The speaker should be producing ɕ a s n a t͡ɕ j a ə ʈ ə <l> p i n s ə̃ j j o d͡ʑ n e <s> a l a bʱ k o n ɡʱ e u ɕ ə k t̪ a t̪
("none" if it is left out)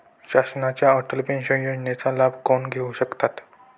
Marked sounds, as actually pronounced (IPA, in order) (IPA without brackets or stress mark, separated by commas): l, t͡s